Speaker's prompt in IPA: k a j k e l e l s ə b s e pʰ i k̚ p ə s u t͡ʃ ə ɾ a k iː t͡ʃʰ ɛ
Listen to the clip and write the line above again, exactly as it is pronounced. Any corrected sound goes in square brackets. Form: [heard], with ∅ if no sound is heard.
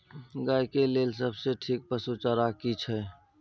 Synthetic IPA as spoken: [ɡ] a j k e l e l s ə b s e [ʈʰ] i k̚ p ə s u t͡ʃ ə ɾ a k [i] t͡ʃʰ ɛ